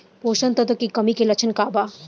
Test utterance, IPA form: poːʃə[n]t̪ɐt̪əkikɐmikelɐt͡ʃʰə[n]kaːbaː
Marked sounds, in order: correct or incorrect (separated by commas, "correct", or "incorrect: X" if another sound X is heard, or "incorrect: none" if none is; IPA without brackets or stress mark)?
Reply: correct, correct